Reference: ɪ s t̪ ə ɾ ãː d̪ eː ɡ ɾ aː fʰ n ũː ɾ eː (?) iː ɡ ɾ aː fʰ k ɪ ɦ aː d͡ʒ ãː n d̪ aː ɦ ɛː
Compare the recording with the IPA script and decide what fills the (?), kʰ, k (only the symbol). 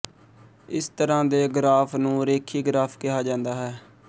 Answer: kʰ